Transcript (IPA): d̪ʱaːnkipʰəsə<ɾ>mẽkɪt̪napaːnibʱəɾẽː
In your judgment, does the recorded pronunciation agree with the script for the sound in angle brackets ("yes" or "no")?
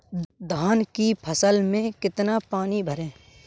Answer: no